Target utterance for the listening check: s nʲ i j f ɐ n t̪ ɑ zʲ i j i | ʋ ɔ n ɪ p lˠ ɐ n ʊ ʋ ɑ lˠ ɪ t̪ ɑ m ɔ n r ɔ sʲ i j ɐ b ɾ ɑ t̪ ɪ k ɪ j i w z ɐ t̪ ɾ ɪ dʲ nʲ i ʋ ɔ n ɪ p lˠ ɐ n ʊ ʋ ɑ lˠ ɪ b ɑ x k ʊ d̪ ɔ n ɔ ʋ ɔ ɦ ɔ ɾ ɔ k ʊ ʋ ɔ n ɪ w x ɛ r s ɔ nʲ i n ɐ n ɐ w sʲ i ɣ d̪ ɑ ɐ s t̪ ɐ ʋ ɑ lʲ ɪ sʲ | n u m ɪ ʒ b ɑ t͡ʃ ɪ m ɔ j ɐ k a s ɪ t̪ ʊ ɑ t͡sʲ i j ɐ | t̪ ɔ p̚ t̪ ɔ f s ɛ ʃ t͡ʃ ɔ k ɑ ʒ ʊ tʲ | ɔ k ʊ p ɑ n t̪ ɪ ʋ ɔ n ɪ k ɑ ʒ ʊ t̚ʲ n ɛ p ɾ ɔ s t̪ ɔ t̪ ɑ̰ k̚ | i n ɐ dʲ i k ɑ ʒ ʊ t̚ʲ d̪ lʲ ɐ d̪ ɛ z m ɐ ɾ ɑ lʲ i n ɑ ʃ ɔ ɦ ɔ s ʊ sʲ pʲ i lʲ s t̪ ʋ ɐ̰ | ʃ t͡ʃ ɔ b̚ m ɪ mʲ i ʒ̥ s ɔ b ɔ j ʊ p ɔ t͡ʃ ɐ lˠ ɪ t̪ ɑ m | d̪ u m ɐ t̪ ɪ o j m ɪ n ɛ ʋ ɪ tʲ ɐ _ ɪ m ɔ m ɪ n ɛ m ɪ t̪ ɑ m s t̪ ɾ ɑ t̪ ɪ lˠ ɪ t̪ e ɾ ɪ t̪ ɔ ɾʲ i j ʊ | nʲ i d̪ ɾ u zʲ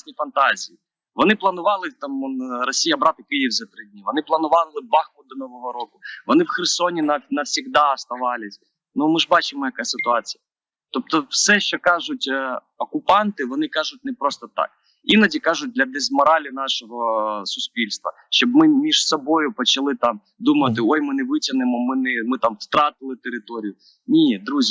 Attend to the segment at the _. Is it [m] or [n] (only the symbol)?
n